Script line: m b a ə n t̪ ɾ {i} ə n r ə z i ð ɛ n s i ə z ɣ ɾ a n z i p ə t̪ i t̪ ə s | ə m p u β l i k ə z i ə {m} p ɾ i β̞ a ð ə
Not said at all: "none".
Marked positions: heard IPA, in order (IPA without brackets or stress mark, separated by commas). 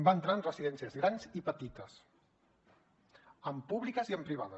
a, m